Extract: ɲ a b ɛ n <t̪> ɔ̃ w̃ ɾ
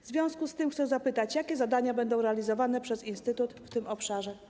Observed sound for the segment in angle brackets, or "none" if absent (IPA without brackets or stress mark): d̪